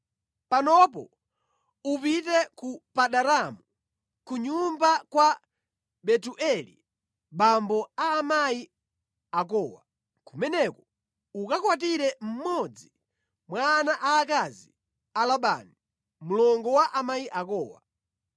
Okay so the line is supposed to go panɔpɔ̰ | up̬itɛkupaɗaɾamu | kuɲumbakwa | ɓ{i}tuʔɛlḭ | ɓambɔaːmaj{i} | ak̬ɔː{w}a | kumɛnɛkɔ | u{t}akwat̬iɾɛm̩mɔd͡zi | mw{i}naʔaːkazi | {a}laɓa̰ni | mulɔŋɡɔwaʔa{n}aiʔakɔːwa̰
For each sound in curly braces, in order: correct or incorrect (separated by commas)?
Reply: incorrect, correct, correct, incorrect, incorrect, correct, incorrect